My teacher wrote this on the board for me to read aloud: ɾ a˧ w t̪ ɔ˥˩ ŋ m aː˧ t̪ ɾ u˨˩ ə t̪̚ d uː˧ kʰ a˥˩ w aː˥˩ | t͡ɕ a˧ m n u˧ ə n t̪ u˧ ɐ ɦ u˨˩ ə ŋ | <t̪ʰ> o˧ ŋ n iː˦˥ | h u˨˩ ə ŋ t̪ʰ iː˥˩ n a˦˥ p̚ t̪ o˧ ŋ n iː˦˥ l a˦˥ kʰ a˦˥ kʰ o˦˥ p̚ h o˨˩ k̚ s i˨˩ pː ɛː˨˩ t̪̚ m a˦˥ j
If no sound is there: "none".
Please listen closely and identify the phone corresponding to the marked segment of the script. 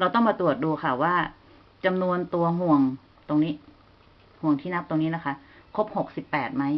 t̪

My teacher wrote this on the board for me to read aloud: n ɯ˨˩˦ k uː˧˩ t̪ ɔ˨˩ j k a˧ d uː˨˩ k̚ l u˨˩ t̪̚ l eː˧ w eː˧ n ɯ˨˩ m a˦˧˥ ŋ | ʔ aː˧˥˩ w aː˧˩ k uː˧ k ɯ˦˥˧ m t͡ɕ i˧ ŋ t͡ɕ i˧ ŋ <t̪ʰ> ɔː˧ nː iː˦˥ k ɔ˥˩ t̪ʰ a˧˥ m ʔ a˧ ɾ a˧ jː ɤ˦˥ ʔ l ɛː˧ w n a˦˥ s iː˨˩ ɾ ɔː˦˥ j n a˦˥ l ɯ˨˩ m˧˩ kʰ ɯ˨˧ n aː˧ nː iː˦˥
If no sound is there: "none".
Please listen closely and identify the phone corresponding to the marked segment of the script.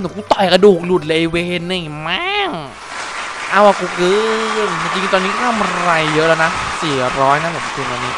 t̪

